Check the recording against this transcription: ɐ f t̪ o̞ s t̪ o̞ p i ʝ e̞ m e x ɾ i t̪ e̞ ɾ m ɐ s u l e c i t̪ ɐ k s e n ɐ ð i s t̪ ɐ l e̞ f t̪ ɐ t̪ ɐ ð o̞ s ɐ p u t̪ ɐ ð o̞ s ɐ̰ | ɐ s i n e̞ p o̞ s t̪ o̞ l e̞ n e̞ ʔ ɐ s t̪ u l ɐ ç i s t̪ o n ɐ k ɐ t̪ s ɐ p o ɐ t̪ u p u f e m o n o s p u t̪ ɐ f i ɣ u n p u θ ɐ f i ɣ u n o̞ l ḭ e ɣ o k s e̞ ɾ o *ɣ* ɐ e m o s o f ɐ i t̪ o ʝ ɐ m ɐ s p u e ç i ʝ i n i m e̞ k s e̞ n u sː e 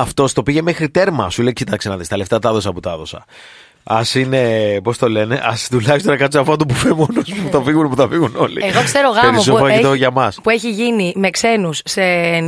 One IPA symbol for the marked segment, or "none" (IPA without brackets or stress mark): ɣ